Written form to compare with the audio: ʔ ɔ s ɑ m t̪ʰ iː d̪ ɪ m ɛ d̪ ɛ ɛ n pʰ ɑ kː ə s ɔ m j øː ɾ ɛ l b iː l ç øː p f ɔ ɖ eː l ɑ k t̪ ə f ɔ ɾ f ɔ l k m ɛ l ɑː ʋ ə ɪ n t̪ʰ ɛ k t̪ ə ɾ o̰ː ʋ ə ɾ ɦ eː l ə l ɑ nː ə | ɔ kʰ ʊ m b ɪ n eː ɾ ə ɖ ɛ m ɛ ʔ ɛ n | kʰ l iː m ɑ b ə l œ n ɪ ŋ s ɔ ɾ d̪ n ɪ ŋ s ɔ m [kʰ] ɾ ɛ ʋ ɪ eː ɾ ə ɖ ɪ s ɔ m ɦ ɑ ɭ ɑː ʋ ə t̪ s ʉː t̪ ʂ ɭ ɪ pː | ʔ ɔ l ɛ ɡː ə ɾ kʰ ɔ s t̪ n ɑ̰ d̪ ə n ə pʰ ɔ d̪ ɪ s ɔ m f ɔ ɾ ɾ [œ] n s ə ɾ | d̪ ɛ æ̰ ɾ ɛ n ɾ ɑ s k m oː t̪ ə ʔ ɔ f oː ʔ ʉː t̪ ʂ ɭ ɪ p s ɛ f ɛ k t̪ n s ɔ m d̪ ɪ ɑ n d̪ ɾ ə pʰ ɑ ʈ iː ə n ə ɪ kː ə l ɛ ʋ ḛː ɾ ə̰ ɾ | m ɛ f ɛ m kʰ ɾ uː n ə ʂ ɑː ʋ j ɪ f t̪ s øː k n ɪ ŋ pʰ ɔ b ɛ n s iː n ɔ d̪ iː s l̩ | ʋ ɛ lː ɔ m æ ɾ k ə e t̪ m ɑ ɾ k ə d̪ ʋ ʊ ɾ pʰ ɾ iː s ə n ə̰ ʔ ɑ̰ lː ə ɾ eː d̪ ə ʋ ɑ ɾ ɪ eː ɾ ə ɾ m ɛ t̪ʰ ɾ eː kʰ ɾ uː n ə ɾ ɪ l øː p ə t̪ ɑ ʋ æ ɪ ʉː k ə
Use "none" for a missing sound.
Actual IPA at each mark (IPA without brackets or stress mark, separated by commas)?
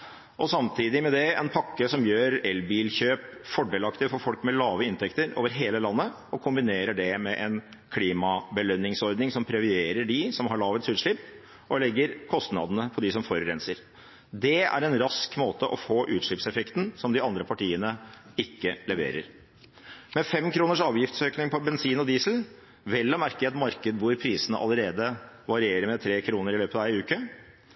pʰ, ɛ